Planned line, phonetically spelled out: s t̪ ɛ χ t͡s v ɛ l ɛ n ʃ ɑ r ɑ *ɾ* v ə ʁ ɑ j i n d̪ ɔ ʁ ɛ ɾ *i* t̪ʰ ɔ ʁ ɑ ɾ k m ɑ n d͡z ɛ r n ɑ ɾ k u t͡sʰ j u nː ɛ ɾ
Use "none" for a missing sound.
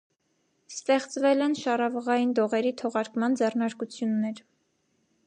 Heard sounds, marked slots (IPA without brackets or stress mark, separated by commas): none, i